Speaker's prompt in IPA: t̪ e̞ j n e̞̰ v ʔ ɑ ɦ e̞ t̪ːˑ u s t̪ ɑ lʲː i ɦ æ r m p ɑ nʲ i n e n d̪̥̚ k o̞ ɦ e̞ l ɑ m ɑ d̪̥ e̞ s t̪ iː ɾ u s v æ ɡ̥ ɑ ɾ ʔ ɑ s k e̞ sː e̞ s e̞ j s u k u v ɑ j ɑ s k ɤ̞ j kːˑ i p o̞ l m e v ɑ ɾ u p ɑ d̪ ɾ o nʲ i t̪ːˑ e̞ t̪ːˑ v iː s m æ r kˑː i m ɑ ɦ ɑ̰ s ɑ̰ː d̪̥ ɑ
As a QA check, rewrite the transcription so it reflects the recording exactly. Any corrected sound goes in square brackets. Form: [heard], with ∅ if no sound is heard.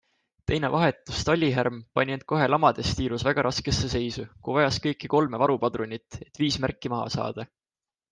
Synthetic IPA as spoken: t̪ e̞ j n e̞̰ v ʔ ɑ ɦ e̞ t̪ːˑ u s t̪ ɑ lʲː i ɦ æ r m p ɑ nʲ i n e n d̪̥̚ k o̞ ɦ e̞ l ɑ m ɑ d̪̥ e̞ s t̪ iː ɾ u s v æ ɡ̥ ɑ ɾ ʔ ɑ s k e̞ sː e̞ s e̞ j s u k u v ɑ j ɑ s k ɤ̞ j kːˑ i [k] o̞ l m e v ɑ ɾ u p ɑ d̪ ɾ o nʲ i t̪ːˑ e̞ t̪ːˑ v iː s m æ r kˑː i m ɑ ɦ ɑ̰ s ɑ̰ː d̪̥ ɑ

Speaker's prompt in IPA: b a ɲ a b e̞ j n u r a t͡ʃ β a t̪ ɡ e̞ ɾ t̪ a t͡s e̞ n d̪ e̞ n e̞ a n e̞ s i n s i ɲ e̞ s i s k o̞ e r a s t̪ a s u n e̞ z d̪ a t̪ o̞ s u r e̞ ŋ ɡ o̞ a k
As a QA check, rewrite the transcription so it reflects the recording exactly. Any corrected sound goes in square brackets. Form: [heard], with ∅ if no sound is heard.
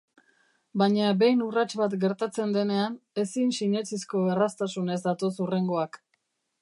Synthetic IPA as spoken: b a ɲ a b e̞ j n u r a t͡ʃ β a t̪ ɡ e̞ ɾ t̪ a t͡s e̞ n d̪ e̞ n e̞ a n e̞ s i n s i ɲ e̞ [t͡s] i s k o̞ e r a s t̪ a s u n e̞ z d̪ a t̪ o̞ s u r e̞ ŋ ɡ o̞ a k

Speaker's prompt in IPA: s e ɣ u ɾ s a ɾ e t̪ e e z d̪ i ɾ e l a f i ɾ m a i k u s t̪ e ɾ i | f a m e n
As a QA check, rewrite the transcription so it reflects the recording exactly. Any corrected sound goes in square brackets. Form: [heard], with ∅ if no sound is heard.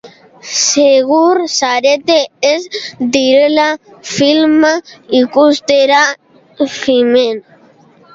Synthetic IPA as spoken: s e ɣ u ɾ s a ɾ e t̪ e e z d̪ i ɾ e l a f i [l] m a i k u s t̪ e ɾ [a] | f [i] m e n

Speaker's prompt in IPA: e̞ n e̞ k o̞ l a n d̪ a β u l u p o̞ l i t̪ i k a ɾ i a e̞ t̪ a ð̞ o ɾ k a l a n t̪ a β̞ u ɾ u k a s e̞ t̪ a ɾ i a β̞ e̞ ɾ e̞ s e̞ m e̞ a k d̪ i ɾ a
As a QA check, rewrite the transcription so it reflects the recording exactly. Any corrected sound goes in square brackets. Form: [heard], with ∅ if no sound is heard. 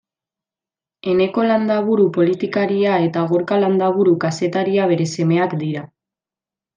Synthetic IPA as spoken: e̞ n e̞ k o̞ l a n d̪ a β u [ɾ] u p o̞ l i t̪ i k a ɾ i a e̞ t̪ a [ɣ̞] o ɾ k a l a n [d̪] a β̞ u ɾ u k a s e̞ t̪ a ɾ i a β̞ e̞ ɾ e̞ s e̞ m e̞ a k d̪ i ɾ a

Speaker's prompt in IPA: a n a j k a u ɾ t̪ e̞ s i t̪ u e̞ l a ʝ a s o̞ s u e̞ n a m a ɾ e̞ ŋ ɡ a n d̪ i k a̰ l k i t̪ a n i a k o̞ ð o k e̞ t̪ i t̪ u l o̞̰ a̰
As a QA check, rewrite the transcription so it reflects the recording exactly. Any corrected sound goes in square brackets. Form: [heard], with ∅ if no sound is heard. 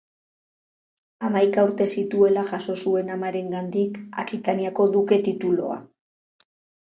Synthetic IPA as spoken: a [m] a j k a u ɾ t̪ e̞ s i t̪ u e̞ l a ʝ a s o̞ s u e̞ n a m a ɾ e̞ ŋ ɡ a n d̪ i k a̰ [∅] k i t̪ a n i a k o̞ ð [u] k e̞ t̪ i t̪ u l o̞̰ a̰

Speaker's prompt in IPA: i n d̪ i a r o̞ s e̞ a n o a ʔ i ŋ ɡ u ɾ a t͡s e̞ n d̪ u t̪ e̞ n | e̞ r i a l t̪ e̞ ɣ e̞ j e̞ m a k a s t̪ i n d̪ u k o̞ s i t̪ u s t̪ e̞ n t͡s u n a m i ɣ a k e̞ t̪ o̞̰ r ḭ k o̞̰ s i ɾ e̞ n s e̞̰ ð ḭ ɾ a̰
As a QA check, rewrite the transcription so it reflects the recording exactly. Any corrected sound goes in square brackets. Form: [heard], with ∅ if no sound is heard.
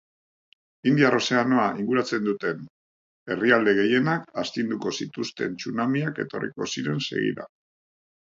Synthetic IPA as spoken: i n d̪ i a r o̞ s e̞ a n o a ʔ i ŋ ɡ u ɾ a t͡s e̞ n d̪ u t̪ e̞ n | e̞ r i a l [d̪] e̞ ɣ e̞ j e̞ [n] a k a s t̪ i n d̪ u k o̞ s i t̪ u s t̪ e̞ n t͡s u n a m i [∅] a k e̞ t̪ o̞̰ r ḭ k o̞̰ s i ɾ e̞ n s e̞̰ [ɣ] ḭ ɾ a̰

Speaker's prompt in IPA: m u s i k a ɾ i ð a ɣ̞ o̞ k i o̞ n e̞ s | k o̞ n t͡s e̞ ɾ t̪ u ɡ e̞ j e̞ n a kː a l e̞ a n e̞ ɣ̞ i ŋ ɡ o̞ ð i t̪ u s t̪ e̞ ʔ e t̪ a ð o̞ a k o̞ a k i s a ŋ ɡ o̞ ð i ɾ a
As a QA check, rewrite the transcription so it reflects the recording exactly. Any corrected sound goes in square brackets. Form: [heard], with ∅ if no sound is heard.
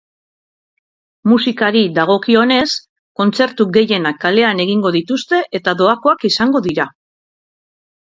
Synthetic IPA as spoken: m u s i k a ɾ i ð a ɣ̞ o̞ k i o̞ n e̞ s | k o̞ n t͡s e̞ ɾ t̪ u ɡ e̞ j e̞ n a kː a l e̞ a n e̞ ɣ̞ i ŋ ɡ o̞ ð i t̪ u s t̪ e̞ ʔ e t̪ a ð o̞ a k o̞ a k i s a ŋ ɡ o̞ ð i ɾ a

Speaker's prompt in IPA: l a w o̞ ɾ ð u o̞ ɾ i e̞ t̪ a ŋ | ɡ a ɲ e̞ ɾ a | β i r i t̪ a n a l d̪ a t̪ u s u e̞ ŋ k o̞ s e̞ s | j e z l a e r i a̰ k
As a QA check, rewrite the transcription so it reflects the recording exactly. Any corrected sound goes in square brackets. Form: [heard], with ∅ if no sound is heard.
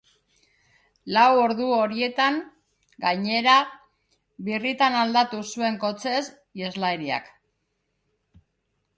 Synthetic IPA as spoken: l a w o̞ ɾ ð u o̞ ɾ i e̞ t̪ a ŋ | ɡ a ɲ e̞ ɾ a | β i r i t̪ a n a l d̪ a t̪ u s u e̞ ŋ k o̞ [t͡s] e̞ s | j e z l a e [ɾ] i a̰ k

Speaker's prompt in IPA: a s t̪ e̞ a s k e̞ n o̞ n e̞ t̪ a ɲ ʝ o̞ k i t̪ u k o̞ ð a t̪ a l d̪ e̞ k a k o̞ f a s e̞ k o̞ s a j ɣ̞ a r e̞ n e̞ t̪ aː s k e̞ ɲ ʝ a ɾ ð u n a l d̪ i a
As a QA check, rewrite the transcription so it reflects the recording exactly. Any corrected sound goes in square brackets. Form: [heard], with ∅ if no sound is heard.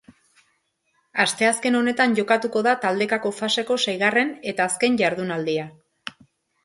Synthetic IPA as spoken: a s t̪ e̞ a s k e̞ n o̞ n e̞ t̪ a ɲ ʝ o̞ k [a] t̪ u k o̞ ð a t̪ a l d̪ e̞ k a k o̞ f a s e̞ k o̞ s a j ɣ̞ a r e̞ n e̞ t̪ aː s k e̞ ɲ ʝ a ɾ ð u n a l d̪ i a

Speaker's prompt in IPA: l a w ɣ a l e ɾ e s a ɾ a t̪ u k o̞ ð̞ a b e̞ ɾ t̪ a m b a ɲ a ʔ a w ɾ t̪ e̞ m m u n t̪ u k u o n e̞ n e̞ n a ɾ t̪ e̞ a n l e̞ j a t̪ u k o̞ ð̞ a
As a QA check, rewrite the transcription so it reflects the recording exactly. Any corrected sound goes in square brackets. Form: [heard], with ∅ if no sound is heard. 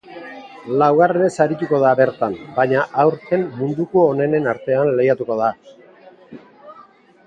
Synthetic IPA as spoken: l a w ɣ a [r] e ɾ e s a ɾ [i] t̪ u k o̞ ð̞ a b e̞ ɾ t̪ a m b a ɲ a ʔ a w ɾ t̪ e̞ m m u n [d̪] u k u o n e̞ n e̞ n a ɾ t̪ e̞ a n l e̞ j a t̪ u k o̞ ð̞ a

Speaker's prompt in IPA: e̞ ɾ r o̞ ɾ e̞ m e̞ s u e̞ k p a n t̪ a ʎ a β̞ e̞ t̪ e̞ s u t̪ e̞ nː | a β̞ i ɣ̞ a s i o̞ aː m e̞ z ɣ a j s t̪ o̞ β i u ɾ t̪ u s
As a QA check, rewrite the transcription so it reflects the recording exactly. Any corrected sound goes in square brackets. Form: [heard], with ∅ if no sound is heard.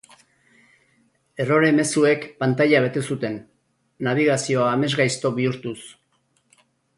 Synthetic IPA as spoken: e̞ [∅] r o̞ ɾ e̞ m e̞ s u e̞ k p a n t̪ a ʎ a β̞ e̞ t̪ e̞ s u t̪ e̞ nː | a β̞ i ɣ̞ a s i o̞ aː m e̞ z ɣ a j s t̪ o̞ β i u ɾ t̪ u s

